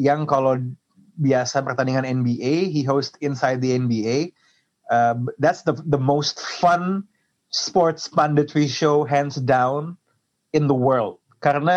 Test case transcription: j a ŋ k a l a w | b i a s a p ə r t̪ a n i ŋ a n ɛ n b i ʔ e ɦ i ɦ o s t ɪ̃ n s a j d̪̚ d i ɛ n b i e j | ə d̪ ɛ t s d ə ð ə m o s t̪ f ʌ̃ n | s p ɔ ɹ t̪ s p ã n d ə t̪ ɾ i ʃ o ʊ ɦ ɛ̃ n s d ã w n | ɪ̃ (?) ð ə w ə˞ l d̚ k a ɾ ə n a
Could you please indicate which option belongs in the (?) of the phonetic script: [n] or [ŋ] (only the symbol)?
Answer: n